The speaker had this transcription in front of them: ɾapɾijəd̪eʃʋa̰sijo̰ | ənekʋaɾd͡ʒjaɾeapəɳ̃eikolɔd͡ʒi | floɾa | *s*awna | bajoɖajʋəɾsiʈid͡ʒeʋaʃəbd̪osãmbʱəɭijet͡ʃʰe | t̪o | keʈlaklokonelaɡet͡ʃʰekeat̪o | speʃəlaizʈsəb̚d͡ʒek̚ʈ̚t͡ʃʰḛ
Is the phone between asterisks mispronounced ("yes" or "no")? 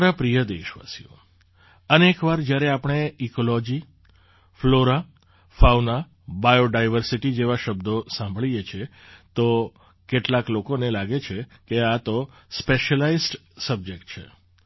yes